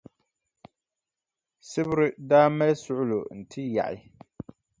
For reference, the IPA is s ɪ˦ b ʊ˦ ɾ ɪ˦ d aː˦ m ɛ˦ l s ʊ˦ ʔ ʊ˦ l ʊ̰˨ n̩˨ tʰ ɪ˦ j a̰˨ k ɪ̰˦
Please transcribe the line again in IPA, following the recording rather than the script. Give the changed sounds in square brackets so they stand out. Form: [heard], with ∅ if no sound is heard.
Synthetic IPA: s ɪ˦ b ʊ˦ ɾ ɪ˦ d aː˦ m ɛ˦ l s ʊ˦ ʔ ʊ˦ l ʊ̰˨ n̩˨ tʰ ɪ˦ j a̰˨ [ʔ] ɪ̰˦